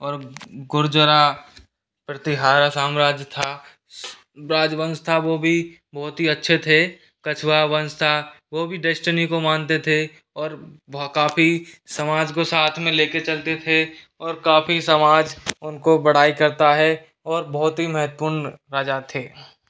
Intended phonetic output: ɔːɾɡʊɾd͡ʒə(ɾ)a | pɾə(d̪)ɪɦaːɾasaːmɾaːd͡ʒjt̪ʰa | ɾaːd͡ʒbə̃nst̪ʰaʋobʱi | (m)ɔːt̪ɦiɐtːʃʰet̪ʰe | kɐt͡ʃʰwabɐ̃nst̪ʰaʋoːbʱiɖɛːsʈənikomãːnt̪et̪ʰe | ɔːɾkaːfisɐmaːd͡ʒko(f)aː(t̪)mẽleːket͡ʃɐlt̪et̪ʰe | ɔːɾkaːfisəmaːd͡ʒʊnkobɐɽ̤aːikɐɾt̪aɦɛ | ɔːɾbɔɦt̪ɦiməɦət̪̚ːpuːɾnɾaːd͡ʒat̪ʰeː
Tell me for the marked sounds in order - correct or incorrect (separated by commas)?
correct, incorrect, incorrect, incorrect, incorrect